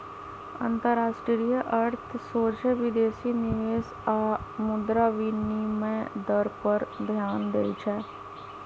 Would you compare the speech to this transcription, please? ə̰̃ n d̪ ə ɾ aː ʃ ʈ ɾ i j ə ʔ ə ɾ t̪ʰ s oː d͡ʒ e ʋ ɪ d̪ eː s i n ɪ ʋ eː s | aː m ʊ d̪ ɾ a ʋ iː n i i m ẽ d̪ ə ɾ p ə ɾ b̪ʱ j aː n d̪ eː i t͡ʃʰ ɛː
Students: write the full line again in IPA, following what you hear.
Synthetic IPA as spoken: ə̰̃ n t̪ ə ɾ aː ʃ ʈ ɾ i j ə ʔ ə ɾ t̪ʰ s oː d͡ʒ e ʋ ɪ d̪ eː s i n ɪ ʋ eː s | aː m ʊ d̪ ɾ a ʋ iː n i i m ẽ d̪ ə ɾ p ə ɾ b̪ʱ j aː n d̪ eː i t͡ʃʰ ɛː